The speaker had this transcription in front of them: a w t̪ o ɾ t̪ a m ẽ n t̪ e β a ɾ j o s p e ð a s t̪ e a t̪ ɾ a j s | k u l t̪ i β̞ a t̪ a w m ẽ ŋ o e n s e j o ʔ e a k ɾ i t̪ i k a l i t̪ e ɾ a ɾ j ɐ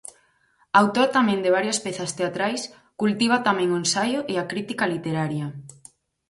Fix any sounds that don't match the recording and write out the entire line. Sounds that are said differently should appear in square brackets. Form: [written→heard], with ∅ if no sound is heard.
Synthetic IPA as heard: a w t̪ o ɾ t̪ a m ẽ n [t̪→d̪] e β a ɾ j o s p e [ð→θ] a s t̪ e a t̪ ɾ a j s | k u l t̪ i β̞ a t̪ a [w→∅] m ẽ ŋ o e n s [e→a] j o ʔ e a k ɾ i t̪ i k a l i t̪ e ɾ a ɾ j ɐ